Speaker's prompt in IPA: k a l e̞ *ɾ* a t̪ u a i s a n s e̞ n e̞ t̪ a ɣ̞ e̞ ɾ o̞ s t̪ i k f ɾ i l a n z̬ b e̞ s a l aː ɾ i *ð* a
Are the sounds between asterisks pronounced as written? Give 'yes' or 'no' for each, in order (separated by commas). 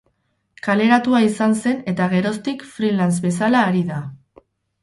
yes, yes